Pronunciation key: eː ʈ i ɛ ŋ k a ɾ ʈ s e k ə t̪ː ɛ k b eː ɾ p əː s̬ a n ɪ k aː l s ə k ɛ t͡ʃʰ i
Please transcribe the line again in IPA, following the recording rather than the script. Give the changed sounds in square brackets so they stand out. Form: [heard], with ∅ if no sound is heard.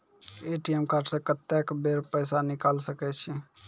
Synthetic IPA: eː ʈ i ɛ [m] k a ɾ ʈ s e k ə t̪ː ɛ k b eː ɾ p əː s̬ a n ɪ k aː l s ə k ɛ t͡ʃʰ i